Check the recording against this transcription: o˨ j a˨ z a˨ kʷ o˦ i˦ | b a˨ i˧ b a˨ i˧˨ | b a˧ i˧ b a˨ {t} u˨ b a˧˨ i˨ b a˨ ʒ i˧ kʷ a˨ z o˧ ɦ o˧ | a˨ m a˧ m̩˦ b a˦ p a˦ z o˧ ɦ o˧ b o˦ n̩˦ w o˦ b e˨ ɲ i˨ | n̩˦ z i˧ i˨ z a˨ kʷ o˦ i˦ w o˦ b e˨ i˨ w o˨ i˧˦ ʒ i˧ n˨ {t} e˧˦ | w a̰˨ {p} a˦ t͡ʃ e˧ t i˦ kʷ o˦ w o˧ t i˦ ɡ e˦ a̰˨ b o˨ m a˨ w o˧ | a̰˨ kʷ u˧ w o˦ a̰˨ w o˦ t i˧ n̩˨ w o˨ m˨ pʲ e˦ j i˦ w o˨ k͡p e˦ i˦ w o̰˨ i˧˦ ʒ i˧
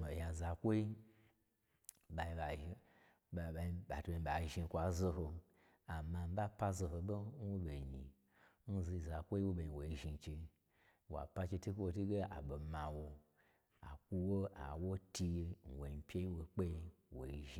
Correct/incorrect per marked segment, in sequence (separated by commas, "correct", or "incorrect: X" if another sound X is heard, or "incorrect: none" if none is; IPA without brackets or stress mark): correct, incorrect: t͡ʃ, correct